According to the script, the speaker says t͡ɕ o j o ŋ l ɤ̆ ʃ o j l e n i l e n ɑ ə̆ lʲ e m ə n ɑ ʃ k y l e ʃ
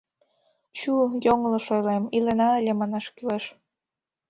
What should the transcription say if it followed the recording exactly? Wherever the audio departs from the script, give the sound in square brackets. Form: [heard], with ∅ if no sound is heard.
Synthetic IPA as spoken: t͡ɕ [u] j o ŋ l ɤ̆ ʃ o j l e [m] i l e n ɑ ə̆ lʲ e m [ɑ] n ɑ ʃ k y l e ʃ